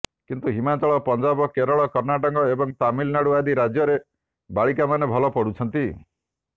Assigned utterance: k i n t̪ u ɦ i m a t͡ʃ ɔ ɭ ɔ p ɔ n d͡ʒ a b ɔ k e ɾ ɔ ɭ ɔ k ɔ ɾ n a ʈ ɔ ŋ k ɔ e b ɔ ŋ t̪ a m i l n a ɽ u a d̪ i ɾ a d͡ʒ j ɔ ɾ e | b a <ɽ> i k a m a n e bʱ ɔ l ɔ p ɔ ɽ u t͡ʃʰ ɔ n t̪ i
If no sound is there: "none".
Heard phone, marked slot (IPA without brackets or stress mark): ɭ